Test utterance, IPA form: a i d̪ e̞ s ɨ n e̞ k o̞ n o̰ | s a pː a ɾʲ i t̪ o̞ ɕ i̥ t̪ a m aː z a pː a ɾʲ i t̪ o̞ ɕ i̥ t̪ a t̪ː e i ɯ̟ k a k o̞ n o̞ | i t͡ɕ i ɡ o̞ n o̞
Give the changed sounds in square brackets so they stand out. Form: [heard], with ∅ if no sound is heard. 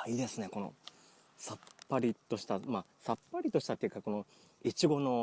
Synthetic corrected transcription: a i d̪ e̞ s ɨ n e̞ k o̞ n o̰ | s a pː a ɾʲ i t̪ o̞ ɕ i̥ t̪ a m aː [s] a pː a ɾʲ i t̪ o̞ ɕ i̥ t̪ a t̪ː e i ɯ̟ k a k o̞ n o̞ | i t͡ɕ i ɡ o̞ n o̞